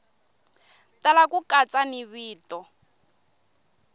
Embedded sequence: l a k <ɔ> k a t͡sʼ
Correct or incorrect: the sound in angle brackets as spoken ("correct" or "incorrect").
incorrect